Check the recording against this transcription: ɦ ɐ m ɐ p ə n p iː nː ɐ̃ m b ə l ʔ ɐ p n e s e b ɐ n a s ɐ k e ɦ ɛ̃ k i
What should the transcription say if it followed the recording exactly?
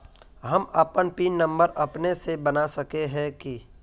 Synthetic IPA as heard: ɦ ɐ m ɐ p ə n p iː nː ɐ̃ m b ə ɾ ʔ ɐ p n e s e b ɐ n a s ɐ k e ɦ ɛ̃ k i